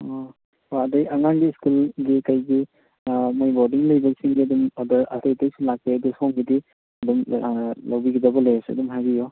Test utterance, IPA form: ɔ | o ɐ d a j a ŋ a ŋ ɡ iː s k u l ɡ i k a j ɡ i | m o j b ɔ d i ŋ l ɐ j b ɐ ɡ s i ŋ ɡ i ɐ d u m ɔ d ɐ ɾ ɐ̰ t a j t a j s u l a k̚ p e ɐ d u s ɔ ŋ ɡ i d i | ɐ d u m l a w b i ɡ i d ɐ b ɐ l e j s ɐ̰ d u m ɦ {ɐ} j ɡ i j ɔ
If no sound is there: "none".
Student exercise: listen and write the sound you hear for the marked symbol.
a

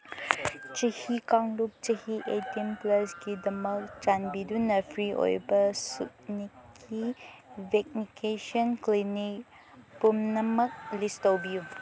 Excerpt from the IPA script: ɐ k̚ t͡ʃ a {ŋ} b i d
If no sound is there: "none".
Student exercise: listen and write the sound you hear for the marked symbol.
n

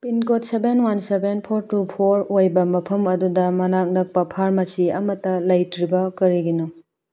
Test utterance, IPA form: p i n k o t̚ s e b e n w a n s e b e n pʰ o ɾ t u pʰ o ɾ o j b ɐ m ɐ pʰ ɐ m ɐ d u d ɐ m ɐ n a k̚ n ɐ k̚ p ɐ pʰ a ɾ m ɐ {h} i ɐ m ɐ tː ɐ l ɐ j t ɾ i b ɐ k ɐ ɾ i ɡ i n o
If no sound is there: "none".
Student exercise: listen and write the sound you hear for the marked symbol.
s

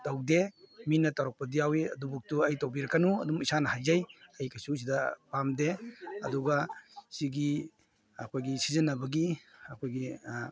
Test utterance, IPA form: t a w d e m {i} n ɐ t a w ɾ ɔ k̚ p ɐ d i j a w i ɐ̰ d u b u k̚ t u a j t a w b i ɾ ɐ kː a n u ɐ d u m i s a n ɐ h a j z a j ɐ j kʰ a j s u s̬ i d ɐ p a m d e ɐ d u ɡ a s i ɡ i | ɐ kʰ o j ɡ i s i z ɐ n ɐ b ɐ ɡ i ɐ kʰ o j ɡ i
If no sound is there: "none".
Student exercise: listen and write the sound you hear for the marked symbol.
i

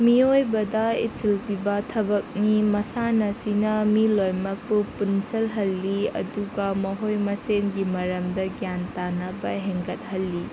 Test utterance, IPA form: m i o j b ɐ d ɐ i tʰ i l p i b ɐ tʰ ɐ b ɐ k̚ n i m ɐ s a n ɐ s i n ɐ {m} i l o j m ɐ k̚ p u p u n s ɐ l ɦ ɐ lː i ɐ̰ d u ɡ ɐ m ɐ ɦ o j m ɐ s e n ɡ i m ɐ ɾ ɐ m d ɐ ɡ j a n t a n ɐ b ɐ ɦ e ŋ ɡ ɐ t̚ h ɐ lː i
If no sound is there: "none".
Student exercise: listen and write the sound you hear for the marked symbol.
m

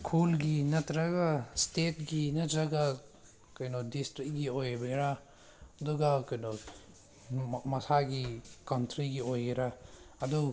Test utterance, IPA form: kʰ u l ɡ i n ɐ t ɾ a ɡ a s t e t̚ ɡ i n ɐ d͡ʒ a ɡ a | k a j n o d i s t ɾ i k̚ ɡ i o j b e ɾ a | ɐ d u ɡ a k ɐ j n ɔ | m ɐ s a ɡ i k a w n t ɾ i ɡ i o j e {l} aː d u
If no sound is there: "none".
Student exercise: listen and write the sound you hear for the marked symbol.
ɾ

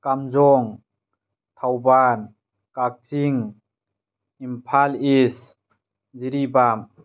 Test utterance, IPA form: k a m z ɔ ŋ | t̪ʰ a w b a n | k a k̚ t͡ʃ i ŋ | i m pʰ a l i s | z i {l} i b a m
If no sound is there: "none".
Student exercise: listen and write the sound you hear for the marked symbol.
ɾ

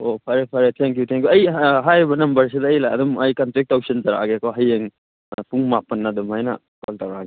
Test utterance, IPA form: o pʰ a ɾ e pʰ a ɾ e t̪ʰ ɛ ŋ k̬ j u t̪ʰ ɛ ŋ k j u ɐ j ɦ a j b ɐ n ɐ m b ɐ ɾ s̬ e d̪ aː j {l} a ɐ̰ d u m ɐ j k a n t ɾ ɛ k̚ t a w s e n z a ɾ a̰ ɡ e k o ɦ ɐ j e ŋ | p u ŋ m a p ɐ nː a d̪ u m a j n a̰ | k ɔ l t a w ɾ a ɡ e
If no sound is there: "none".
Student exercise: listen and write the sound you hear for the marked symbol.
l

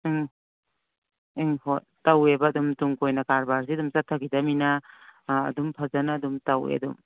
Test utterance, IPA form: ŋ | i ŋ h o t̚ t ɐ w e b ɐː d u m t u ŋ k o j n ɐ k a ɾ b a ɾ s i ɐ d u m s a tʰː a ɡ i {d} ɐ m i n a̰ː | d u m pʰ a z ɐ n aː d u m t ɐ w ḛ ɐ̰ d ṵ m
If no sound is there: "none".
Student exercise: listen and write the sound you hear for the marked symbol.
d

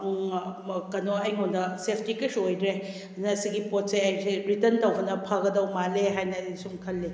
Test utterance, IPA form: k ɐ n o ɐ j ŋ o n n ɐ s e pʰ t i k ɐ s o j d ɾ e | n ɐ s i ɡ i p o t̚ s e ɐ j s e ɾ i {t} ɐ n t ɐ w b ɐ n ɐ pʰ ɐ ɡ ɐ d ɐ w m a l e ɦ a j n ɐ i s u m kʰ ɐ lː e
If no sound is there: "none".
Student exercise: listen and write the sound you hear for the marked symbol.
t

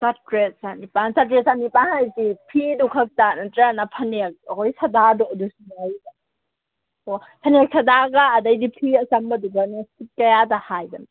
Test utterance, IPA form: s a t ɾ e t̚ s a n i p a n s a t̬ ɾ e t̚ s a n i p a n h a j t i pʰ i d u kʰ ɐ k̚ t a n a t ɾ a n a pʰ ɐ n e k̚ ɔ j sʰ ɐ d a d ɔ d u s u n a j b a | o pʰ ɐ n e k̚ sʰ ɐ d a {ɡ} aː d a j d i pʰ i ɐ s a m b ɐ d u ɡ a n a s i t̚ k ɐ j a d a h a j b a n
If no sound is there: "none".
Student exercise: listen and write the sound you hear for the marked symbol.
ɡ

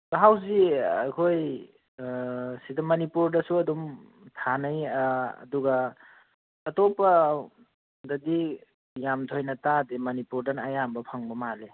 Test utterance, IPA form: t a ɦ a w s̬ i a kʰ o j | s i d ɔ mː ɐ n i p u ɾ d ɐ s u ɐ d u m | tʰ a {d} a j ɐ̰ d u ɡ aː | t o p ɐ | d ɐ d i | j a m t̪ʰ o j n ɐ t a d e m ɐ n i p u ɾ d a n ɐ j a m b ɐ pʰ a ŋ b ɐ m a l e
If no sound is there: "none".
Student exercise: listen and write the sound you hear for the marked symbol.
n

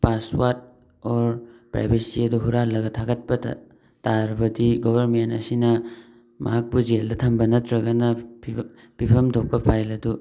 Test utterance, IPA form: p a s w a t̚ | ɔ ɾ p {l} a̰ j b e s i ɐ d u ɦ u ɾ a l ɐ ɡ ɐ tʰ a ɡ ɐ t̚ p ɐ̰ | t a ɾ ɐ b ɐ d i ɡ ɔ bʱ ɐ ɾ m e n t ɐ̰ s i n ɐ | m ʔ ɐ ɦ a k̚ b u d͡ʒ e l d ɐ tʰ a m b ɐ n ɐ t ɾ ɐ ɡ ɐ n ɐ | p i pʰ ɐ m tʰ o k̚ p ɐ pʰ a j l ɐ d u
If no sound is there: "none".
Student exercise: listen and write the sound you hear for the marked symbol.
ɾ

